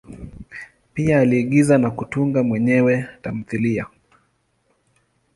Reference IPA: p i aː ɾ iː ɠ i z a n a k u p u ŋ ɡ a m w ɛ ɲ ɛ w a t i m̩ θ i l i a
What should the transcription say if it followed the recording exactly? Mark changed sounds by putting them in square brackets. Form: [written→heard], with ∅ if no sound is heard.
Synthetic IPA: p i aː [ɾ→l] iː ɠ i z a n a k u [p→t] u ŋ ɡ a m w ɛ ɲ ɛ w [a→ɛ] t [i→a] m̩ θ i l i a